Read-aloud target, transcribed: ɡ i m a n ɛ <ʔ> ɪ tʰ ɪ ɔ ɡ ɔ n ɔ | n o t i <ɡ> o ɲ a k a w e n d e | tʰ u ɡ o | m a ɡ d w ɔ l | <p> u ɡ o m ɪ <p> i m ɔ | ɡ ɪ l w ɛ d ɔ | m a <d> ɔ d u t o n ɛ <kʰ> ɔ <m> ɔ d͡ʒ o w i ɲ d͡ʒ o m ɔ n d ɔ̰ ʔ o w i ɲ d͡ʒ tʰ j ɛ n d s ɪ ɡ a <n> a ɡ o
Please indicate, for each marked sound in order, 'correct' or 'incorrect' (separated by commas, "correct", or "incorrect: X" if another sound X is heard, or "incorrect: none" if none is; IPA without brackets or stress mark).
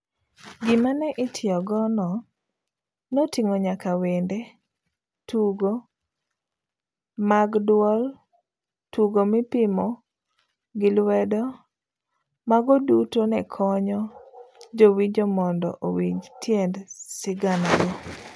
correct, incorrect: ŋ, incorrect: t, correct, incorrect: ɡ, correct, incorrect: ɲ, correct